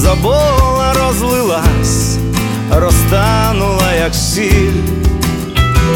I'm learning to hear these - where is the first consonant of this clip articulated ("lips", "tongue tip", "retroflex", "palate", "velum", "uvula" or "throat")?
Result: tongue tip